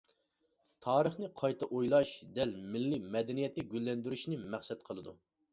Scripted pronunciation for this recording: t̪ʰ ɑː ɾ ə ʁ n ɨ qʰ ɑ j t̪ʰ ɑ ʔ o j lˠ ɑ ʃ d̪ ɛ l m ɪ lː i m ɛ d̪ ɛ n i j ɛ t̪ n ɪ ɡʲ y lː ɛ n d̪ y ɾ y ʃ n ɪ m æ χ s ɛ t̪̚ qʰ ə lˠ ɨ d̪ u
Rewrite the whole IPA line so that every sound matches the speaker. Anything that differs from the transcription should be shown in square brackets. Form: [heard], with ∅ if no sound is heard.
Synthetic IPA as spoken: t̪ʰ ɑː ɾ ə [χ] n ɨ qʰ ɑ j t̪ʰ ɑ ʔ o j lˠ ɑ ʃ d̪ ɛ l m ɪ lː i m ɛ d̪ ɛ n i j ɛ t̪ n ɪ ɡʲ y lː ɛ n d̪ y ɾ y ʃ n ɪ m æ χ s ɛ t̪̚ qʰ ə lˠ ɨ d̪ u

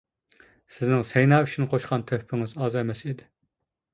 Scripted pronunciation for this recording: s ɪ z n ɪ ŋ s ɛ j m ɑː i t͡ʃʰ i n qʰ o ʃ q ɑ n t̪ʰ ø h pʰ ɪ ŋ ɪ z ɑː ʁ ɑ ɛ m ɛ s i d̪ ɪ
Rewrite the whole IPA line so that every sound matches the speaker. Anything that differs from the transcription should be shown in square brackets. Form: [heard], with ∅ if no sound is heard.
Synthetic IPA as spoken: s ɪ z n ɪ ŋ s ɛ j [n] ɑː [y] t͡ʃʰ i n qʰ o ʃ q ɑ n t̪ʰ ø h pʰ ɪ ŋ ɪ z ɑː [z] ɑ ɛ m ɛ s i d̪ ɪ

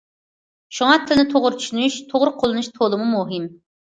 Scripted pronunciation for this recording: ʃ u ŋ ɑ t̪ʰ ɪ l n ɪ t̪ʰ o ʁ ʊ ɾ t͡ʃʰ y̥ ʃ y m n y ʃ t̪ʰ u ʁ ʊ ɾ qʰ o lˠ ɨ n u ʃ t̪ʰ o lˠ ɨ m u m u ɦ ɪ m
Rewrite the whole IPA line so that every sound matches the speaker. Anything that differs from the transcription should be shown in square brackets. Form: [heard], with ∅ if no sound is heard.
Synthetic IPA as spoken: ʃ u ŋ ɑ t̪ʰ ɪ l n ɪ t̪ʰ o ʁ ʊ ɾ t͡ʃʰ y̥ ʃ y [∅] n y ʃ t̪ʰ [o] ʁ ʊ ɾ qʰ o lˠ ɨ n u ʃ t̪ʰ o lˠ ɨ m u m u ɦ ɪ m

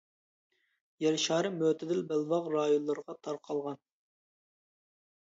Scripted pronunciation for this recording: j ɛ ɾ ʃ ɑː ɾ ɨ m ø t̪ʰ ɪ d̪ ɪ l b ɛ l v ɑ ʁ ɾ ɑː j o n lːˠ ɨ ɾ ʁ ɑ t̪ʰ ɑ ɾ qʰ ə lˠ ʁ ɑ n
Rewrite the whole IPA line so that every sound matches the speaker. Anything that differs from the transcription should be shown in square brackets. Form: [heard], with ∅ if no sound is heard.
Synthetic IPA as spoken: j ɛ ɾ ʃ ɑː ɾ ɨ m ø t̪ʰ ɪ d̪ ɪ l b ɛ l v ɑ ʁ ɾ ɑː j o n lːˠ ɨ ɾ ʁ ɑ t̪ʰ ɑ ɾ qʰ [ɑ] lˠ ʁ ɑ n

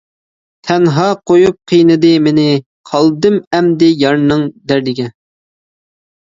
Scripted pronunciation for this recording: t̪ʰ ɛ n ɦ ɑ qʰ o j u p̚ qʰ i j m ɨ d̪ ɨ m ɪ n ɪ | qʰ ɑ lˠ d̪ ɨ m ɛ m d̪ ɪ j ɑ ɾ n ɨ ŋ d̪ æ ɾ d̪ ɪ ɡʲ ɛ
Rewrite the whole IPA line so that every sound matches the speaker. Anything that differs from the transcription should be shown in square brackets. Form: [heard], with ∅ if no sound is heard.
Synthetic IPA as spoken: t̪ʰ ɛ n ɦ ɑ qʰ o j u p̚ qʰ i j [n] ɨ d̪ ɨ m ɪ n ɪ | qʰ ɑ lˠ d̪ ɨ m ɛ m d̪ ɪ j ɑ ɾ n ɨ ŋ d̪ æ ɾ d̪ ɪ ɡʲ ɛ

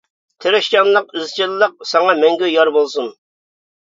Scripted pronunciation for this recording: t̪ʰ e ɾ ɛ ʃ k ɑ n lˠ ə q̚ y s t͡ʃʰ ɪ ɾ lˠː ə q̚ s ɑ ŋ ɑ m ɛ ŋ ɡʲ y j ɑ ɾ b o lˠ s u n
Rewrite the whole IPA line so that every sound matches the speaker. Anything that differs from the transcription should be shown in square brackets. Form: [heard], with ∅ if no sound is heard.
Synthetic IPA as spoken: t̪ʰ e ɾ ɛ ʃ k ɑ n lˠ ə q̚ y [z] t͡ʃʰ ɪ [l] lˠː ə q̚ s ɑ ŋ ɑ m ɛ ŋ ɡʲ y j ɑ ɾ b o lˠ s u n

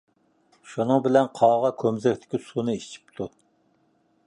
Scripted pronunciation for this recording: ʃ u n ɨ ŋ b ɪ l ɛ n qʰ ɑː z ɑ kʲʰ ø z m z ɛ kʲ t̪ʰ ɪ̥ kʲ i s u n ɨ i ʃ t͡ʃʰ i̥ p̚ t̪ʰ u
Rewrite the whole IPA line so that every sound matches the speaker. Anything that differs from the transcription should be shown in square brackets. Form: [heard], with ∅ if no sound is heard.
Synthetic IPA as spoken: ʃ u n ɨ ŋ b ɪ l ɛ n qʰ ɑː [ʁ] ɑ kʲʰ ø [∅] m z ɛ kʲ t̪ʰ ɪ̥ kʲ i s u n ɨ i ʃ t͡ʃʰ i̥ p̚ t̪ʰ u

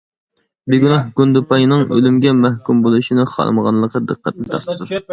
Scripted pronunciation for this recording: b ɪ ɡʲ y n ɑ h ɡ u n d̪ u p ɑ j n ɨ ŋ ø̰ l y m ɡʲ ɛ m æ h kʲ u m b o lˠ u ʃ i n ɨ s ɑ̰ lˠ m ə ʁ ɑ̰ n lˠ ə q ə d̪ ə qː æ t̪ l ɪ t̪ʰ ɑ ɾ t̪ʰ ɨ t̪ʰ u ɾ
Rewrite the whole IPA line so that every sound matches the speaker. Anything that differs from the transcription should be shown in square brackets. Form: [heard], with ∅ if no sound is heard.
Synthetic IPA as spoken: b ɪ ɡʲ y n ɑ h ɡ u n d̪ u p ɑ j n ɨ ŋ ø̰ l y m ɡʲ ɛ m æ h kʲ u m b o lˠ u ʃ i n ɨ [χ] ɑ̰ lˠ m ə ʁ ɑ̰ n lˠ ə q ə d̪ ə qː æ t̪ l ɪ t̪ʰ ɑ ɾ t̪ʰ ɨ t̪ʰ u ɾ

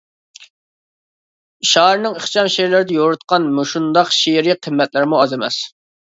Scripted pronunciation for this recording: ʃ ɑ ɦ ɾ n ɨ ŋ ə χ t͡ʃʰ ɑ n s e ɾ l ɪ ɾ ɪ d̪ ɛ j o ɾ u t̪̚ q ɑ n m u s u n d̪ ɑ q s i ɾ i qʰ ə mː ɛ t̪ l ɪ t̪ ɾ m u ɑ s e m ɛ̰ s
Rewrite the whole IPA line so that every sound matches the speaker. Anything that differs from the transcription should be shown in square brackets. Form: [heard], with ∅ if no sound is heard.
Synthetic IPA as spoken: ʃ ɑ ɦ ɾ n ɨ ŋ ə χ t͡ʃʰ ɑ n [ʃ] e ɾ l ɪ ɾ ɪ d̪ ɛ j o ɾ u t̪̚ q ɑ n m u [ʃ] u n d̪ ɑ q [ʃ] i ɾ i qʰ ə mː ɛ t̪ l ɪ [∅] ɾ m u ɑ [z] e m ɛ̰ s

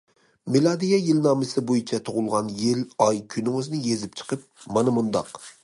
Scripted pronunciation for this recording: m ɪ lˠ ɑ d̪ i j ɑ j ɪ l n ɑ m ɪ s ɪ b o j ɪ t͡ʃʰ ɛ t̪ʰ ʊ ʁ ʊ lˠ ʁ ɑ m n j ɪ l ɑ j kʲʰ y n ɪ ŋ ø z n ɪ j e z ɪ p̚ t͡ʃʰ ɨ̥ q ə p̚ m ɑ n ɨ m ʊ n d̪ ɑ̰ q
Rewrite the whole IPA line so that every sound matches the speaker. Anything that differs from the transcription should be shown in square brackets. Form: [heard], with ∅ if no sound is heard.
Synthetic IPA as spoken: m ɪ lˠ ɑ d̪ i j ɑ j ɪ l n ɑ m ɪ s ɪ b o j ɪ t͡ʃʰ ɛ t̪ʰ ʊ ʁ ʊ lˠ ʁ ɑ [∅] n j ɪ l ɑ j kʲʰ y n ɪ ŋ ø z n ɪ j e z ɪ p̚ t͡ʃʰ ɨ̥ q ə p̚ m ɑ n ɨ m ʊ n d̪ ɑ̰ q

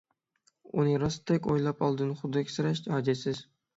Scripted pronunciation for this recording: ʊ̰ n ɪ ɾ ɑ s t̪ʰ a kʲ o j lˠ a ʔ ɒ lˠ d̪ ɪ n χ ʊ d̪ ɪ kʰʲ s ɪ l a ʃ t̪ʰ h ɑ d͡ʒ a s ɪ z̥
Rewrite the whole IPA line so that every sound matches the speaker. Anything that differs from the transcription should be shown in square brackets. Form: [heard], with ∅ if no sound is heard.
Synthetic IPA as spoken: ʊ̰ n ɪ ɾ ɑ s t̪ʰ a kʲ o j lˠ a [p] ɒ lˠ d̪ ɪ n χ ʊ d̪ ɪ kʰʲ s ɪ [ɾ] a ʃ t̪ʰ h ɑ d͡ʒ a s ɪ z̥

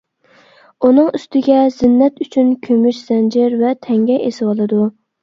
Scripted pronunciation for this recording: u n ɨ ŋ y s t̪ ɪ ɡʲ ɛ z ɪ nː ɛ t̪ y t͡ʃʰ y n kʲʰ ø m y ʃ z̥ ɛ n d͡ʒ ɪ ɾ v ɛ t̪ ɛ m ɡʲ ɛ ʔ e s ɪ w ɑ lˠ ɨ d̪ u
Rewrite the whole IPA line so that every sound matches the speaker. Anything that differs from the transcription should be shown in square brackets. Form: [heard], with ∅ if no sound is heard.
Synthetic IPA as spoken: u n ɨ ŋ y s t̪ ɪ ɡʲ ɛ z ɪ nː ɛ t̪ y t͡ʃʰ y n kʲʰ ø m y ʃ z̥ ɛ n d͡ʒ ɪ ɾ v ɛ [t̪ʰ] ɛ [ŋ] ɡʲ ɛ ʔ e s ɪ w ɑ lˠ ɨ d̪ u

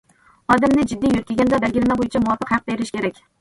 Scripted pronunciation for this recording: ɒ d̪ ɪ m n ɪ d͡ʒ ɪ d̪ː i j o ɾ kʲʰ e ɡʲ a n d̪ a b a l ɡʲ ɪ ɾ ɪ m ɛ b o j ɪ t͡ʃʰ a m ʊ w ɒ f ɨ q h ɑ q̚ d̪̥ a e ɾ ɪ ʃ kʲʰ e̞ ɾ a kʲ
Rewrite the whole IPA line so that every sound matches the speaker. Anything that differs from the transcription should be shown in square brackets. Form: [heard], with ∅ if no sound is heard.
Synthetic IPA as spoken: ɒ d̪ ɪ m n ɪ d͡ʒ ɪ d̪ː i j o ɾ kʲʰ e ɡʲ a n d̪ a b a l ɡʲ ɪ ɾ ɪ m [a] b o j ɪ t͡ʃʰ a m ʊ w ɒ f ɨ q h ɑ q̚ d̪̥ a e ɾ ɪ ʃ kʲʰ e̞ ɾ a kʲ

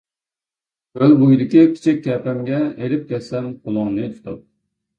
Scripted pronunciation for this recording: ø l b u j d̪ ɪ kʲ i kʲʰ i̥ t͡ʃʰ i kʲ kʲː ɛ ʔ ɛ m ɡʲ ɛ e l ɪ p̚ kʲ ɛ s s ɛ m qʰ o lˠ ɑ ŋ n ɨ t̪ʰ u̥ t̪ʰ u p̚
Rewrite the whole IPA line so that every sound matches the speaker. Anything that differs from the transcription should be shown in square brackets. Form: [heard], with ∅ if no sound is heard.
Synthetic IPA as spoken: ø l b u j d̪ ɪ kʲ i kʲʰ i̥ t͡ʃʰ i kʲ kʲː ɛ [p] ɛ m ɡʲ ɛ e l ɪ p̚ kʲ ɛ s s ɛ m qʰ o lˠ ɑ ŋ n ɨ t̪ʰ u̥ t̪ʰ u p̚

